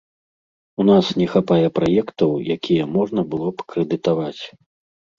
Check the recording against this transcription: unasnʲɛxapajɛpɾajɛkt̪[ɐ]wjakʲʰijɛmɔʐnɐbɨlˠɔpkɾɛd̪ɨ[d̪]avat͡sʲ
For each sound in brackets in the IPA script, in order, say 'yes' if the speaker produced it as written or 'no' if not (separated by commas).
yes, no